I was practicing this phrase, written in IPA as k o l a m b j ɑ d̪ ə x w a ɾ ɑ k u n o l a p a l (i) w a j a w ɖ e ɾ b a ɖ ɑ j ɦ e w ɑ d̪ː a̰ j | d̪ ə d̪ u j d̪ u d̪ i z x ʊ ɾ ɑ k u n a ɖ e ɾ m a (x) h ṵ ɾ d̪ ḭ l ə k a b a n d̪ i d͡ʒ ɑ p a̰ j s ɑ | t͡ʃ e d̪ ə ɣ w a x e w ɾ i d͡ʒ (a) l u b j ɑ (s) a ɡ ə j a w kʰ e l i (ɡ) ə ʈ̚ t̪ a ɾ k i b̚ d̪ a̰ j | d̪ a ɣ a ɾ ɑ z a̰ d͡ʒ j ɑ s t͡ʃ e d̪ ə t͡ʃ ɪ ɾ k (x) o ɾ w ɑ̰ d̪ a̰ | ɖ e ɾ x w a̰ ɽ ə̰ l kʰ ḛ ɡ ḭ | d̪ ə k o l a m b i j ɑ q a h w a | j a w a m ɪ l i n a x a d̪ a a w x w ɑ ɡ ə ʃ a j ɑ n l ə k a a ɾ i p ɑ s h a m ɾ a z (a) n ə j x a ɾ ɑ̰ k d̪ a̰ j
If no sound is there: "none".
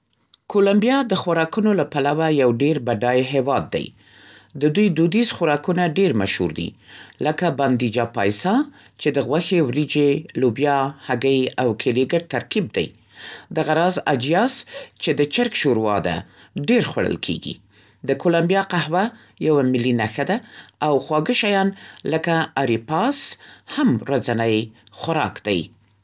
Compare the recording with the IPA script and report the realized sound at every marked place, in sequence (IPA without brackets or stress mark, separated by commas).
a, ʃ, e, h, ɡ, ʃ, a